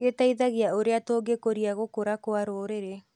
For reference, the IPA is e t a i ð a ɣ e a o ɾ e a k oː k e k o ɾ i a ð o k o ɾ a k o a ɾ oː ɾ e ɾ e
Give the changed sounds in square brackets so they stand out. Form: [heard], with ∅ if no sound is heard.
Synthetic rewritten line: e t a i ð a ɣ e a o ɾ e a [t] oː [ɡ] e k o ɾ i a [ɣ] o k o ɾ a k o a ɾ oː ɾ e ɾ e